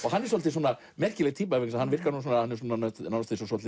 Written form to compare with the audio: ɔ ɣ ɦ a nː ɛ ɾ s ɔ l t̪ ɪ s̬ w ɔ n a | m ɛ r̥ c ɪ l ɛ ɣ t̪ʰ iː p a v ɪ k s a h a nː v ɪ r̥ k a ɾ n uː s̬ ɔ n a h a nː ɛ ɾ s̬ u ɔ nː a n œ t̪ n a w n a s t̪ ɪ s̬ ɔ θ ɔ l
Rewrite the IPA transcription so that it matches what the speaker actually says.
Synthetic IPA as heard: ɔ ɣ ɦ a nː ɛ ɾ s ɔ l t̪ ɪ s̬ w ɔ n a | m ɛ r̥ c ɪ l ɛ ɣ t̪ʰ iː p a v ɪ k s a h a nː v ɪ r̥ k a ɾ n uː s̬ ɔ n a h a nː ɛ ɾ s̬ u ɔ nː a n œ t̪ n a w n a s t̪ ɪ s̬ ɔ s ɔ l

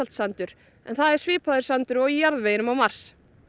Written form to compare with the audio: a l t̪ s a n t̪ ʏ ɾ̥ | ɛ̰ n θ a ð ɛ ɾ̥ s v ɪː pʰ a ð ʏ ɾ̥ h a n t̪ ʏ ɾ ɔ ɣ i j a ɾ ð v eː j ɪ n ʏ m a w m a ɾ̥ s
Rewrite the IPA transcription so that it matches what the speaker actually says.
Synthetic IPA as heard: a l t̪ s a n t̪ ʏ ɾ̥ | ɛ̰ n θ a ð ɛ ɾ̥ s v ɪː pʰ a ð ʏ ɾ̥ s a n t̪ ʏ ɾ ɔ ɣ i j a ɾ ð v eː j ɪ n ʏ m a w m a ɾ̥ s

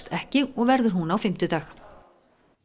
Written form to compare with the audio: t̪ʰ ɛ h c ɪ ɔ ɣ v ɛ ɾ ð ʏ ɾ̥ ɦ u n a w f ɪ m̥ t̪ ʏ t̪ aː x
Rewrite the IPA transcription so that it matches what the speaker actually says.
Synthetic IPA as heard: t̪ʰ ɛ h c ɪ ɔ ɣ v ɛ ɾ ð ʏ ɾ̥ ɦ u n a w f ɪ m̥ t̪ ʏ t̪ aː x

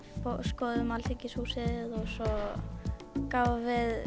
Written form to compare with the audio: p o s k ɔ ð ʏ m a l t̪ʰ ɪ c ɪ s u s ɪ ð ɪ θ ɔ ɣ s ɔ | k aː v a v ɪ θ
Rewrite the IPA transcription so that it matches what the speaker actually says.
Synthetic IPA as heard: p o s k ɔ ð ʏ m a l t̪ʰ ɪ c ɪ s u s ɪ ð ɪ ð ɔ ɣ s ɔ | k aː v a v ɪ ð

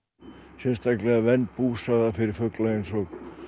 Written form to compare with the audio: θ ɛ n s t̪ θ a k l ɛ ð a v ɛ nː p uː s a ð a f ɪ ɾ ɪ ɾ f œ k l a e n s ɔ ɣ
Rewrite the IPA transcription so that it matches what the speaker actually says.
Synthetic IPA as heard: s ɛ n s t̪ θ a k l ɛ ɣ a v ɛ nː p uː s a ð a f ɪ ɾ ɪ ɾ f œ k l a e n s ɔ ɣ

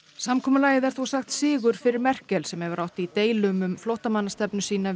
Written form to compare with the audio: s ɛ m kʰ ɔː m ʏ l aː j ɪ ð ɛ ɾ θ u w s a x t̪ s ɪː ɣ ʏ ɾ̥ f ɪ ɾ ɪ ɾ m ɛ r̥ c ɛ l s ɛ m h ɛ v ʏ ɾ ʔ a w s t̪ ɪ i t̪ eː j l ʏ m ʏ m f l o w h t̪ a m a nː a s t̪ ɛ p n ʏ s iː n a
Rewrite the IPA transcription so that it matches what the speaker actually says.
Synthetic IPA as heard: s a m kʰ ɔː m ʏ l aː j ɪ ð ɛ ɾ θ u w s a x t̪ s ɪː ɣ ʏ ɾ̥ f ɪ ɾ ɪ ɾ m ɛ r̥ c ɛ l s ɛ m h ɛ v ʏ ɾ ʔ a w h t̪ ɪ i t̪ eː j l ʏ m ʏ m f l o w h t̪ a m a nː a s t̪ ɛ p n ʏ s iː n a

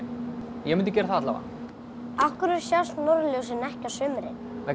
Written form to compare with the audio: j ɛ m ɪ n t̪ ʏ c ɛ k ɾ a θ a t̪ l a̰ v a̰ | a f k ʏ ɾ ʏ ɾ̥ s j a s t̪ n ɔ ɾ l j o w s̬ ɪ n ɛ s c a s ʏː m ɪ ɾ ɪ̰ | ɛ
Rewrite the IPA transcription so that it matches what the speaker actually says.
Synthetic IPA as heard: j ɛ m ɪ n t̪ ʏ c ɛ ɾ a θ a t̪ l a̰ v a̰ | a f k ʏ ɾ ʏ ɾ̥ s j a s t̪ n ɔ ɾ l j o w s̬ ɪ n ɛ h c a s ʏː m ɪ ɾ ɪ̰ | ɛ

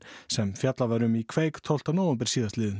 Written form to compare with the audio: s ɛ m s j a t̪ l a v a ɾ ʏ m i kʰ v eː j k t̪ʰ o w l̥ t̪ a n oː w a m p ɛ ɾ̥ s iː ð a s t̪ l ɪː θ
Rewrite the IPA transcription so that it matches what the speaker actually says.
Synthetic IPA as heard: s ɛ m f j a t̪ l a v a ɾ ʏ m i kʰ v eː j k t̪ʰ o w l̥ t̪ a n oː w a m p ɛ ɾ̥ s iː ð a s t̪ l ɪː ð

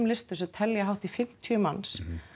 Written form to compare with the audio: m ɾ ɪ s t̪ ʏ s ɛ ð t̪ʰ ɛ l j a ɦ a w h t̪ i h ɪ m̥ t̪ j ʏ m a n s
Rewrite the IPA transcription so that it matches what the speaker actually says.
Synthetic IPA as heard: m l ɪ s t̪ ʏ s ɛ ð t̪ʰ ɛ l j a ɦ a w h t̪ i f ɪ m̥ t̪ʰ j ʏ m a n s

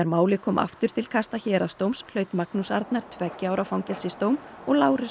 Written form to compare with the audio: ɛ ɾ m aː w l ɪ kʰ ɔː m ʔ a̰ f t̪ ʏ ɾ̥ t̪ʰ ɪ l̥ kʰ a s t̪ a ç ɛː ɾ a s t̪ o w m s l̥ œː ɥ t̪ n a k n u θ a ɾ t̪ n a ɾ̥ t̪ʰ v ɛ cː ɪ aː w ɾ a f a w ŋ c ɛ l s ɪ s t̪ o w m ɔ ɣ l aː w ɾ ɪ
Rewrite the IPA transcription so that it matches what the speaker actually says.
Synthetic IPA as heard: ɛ ɾ m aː w l ɪ kʰ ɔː m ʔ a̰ f t̪ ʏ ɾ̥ t̪ʰ ɪ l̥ kʰ a s t̪ a ç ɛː ɾ a s t̪ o w m s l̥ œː ɥ t̪ m a k n u s a ɾ t̪ n a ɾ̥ t̪ʰ v ɛ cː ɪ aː w ɾ a f a w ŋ c ɛ l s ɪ s t̪ o w m ɔ ɣ l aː w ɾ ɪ

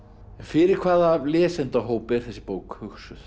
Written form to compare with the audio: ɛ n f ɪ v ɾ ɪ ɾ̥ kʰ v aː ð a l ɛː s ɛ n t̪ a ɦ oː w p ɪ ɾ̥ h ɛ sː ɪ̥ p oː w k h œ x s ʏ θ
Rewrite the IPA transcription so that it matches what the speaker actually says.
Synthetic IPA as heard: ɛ n f ɪ ɾ ɪ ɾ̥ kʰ v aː ð a l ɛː s ɛ n t̪ a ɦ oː w p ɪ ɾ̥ θ ɛ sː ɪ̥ p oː w k h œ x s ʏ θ

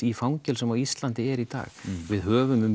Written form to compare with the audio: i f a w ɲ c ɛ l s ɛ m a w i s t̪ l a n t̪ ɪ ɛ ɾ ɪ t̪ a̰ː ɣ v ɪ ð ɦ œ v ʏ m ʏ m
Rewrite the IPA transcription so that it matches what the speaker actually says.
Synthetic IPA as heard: i f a w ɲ c ɛ l s ɛ m a w i s t̪ l a n t̪ ɪ ɛ ɾ i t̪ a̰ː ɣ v ɪ ð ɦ œː v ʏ m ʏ m

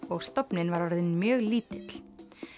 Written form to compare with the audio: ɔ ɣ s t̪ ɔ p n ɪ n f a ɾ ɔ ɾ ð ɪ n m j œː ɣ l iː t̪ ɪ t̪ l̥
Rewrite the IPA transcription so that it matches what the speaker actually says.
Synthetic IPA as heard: ɔ ɣ s t̪ ɔ p n ɪ n v a ɾ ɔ ɾ ð ɪ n m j œː ɣ l iː t̪ ɪ t̪ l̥

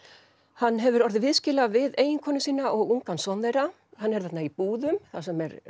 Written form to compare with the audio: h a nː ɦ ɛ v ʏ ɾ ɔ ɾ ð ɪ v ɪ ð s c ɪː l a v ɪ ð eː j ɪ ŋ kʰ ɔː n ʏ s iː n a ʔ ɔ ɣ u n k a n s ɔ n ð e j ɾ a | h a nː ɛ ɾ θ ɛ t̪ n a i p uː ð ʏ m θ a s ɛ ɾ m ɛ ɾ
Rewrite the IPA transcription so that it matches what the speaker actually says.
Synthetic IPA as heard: h a nː ɦ ɛ v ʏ ɾ ɔ ɾ ð ɪ v ɪ ð s c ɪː l a v ɪ ð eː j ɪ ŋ kʰ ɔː n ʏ s iː n a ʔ ɔ ɣ u ŋ k a n s ɔ n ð e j ɾ a | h a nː ɛ ɾ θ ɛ t̪ n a i p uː ð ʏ m θ a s ɛ m ɛ ɾ

